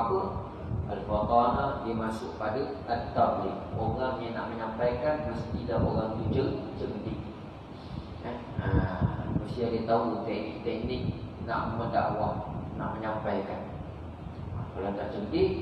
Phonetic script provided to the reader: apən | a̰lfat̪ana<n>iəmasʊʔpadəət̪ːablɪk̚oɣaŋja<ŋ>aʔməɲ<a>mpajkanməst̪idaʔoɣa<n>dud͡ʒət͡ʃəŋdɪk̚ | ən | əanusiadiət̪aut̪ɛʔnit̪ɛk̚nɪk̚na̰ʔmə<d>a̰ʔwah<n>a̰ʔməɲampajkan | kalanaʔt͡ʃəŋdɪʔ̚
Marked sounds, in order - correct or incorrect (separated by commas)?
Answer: incorrect, incorrect, correct, incorrect, correct, correct